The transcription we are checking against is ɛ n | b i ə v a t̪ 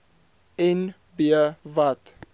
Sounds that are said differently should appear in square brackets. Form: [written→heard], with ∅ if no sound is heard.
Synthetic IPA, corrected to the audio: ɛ n | b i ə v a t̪